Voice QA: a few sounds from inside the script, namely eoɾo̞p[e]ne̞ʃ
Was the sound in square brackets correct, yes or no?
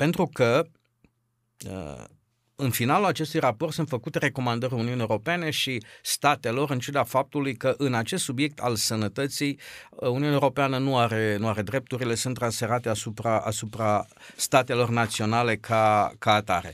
yes